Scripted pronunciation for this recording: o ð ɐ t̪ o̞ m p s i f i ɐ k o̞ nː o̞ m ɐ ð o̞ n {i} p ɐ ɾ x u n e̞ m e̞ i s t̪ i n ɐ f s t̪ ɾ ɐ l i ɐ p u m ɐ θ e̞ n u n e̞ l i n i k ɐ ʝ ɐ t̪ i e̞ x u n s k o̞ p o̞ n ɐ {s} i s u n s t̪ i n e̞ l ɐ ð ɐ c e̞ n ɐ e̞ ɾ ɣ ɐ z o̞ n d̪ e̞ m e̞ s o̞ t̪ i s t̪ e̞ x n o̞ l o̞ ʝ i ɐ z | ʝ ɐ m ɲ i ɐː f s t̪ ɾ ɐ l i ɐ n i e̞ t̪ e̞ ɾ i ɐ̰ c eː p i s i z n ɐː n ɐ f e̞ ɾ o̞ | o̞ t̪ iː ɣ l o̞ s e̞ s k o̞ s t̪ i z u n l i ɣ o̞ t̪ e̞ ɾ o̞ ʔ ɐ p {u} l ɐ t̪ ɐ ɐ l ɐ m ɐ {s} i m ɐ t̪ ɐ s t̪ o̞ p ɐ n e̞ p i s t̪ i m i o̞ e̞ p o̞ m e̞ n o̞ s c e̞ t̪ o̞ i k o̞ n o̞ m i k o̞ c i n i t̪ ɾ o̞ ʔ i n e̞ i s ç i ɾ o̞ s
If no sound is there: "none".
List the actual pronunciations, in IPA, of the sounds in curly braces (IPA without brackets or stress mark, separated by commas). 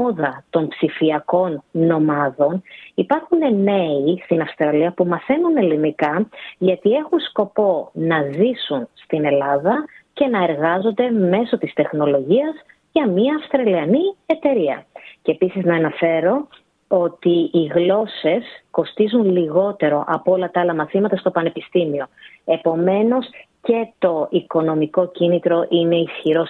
i, z, o, θ